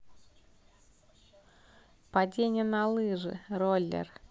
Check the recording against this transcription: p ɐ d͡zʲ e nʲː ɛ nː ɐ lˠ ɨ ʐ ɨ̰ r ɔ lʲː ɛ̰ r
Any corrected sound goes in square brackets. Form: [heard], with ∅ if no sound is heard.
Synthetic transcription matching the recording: p [a] d͡zʲ e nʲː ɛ [n] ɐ lˠ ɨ ʐ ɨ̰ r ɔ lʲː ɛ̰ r